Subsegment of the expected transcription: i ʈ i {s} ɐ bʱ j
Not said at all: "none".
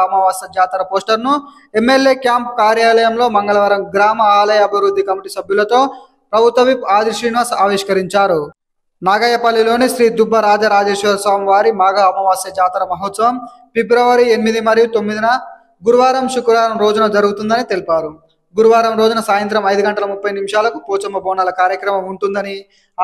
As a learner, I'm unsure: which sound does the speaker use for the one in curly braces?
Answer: s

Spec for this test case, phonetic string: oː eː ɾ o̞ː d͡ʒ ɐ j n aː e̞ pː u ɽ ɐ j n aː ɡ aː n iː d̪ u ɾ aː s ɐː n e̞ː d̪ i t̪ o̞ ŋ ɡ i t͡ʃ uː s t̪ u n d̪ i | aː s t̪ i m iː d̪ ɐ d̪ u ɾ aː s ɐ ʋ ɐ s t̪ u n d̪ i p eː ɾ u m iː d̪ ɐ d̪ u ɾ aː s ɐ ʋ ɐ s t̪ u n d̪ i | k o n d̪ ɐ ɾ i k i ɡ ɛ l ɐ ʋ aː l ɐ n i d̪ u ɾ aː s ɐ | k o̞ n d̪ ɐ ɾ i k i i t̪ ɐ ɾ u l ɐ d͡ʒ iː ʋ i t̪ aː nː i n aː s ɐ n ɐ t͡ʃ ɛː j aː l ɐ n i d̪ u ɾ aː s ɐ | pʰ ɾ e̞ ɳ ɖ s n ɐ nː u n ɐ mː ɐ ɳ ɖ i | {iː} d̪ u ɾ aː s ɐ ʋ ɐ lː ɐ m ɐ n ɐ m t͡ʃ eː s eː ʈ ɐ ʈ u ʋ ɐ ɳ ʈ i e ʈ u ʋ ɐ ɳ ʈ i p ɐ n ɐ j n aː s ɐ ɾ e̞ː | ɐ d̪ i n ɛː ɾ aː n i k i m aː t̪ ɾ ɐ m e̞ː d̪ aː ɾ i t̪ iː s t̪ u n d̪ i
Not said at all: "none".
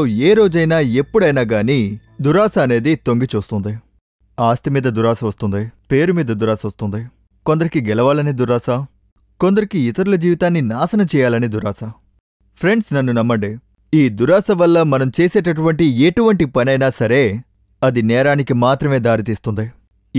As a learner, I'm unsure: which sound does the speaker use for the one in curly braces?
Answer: iː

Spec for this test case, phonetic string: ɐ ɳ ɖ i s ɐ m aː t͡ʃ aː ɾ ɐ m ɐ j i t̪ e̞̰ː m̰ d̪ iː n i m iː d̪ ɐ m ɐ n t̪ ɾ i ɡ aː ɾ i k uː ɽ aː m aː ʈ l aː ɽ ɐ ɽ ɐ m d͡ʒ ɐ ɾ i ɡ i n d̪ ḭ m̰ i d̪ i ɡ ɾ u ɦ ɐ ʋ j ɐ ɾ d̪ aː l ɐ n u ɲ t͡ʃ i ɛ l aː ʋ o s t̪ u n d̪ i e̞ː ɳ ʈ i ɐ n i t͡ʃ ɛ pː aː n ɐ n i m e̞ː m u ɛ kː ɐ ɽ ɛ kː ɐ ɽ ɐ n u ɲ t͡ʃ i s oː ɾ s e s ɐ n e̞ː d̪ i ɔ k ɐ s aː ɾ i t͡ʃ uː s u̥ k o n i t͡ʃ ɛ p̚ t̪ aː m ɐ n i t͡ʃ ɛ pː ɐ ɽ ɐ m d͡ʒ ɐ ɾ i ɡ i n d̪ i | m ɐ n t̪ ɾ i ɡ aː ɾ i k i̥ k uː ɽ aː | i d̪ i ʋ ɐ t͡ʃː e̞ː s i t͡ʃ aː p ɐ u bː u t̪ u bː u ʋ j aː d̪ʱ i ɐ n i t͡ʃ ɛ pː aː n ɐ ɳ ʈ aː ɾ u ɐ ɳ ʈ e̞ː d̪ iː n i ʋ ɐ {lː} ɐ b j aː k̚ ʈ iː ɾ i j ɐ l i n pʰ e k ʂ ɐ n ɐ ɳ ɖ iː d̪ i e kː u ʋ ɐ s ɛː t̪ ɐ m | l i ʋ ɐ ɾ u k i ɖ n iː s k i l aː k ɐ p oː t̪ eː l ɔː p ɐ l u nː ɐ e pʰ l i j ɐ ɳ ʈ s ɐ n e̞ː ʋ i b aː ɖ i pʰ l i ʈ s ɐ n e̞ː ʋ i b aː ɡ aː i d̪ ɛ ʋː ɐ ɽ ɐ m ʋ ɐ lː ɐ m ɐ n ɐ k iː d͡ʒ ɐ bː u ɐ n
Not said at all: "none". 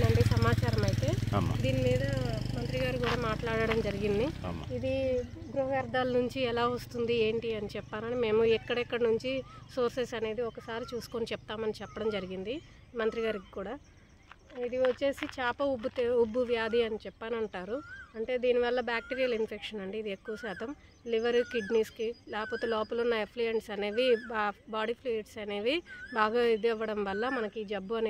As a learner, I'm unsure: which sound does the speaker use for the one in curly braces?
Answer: lː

